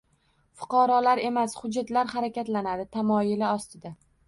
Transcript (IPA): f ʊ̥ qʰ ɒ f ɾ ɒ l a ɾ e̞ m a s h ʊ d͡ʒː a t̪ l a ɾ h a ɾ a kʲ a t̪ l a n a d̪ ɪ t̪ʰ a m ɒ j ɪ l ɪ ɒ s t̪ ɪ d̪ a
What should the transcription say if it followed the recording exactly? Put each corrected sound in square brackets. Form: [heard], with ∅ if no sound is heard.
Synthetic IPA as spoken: f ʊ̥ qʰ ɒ [∅] ɾ ɒ l a ɾ e̞ m a s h ʊ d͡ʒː a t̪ l a ɾ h a ɾ a kʲ a t̪ l a n a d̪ ɪ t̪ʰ a m ɒ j ɪ l ɪ ɒ s t̪ ɪ d̪ a